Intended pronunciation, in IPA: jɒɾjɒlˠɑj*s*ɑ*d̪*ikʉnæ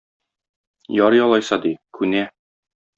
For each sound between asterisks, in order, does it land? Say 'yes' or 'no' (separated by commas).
yes, yes